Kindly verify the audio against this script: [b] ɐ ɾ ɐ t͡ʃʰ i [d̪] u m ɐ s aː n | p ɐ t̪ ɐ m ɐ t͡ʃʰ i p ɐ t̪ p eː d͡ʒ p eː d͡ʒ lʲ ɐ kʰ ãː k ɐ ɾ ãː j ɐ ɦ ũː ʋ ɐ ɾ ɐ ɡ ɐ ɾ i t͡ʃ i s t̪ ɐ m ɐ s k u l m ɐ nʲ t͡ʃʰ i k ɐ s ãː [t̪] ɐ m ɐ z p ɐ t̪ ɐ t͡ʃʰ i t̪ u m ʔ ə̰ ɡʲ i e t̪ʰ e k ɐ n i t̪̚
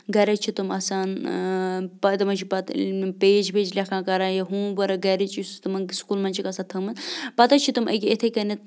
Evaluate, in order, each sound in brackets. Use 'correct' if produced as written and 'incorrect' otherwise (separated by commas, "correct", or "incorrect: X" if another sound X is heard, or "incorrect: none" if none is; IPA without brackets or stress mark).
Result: incorrect: ɡ, incorrect: t̪, incorrect: t̪ʰ